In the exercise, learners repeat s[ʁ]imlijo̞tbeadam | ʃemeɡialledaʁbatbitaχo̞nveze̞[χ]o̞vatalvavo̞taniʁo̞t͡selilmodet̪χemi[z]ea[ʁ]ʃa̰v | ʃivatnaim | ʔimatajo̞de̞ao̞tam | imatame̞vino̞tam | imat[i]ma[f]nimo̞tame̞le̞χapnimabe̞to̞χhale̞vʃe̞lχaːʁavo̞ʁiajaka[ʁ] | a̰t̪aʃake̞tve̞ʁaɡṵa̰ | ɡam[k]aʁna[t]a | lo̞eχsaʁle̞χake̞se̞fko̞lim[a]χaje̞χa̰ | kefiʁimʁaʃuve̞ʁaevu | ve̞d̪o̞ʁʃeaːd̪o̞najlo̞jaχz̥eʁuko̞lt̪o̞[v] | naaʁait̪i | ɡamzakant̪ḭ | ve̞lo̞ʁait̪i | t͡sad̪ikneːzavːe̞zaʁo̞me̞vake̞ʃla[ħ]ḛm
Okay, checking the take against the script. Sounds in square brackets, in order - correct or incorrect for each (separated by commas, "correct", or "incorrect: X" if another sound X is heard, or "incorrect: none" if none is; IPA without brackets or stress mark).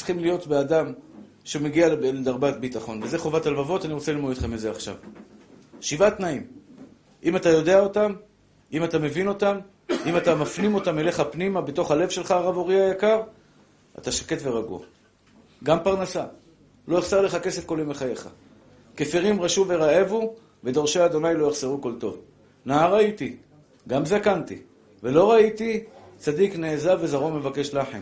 incorrect: χ, correct, correct, incorrect: χ, incorrect: a, correct, correct, incorrect: p, incorrect: s, incorrect: e, correct, correct